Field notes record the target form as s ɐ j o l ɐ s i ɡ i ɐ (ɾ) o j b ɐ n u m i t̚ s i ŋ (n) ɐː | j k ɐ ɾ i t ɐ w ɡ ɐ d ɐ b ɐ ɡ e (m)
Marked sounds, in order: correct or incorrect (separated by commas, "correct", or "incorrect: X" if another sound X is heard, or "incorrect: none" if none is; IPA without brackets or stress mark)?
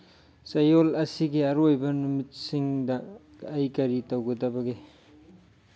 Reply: correct, incorrect: d, incorrect: none